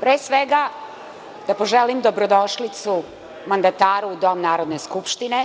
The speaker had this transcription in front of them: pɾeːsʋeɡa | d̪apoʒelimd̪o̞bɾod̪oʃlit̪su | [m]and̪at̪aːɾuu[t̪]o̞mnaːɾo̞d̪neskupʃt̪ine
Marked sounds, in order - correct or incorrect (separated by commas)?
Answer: correct, incorrect